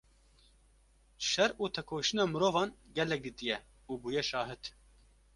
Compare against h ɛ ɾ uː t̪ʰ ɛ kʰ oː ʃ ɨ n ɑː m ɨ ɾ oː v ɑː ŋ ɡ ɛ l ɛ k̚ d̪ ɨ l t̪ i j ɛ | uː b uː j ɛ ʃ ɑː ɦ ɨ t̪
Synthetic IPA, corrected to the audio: ʃ ɛ ɾ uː t̪ʰ ɛ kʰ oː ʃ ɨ n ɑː m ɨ ɾ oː v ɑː n ɡ ɛ l ɛ k̚ d̪ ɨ t̪ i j ɛ | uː b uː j ɛ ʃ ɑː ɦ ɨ t̪